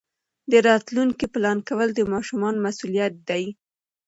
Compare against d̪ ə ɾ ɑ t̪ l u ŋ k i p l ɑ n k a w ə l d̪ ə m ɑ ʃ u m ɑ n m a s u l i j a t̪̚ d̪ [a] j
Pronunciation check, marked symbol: correct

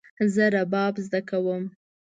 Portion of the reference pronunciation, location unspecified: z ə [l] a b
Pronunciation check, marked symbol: incorrect: ɾ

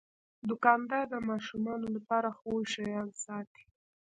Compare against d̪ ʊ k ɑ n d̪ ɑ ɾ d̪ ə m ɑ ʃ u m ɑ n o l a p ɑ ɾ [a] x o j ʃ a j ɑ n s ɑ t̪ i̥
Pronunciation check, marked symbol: correct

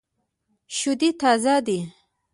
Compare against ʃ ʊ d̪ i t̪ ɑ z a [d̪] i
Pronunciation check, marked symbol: correct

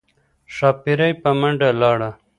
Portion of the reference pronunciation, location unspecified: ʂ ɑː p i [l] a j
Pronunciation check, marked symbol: incorrect: ɾ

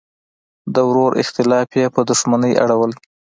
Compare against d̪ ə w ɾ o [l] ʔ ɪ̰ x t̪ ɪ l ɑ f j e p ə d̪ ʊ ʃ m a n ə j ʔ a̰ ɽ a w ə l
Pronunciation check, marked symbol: incorrect: ɾ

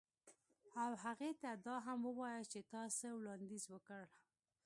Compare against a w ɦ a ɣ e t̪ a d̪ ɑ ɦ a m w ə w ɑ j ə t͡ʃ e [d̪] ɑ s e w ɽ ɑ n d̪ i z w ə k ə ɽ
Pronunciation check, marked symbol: incorrect: t̪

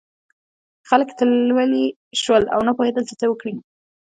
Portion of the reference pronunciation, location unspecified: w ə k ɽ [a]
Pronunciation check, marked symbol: incorrect: i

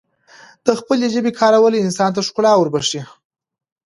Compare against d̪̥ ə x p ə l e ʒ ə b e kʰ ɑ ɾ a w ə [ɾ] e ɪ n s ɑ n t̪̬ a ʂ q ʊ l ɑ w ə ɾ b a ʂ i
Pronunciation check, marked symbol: incorrect: l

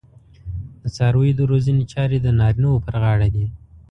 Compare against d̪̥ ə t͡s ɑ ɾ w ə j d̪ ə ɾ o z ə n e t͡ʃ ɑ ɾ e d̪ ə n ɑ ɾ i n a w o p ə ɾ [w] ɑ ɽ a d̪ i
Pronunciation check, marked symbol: incorrect: ɣ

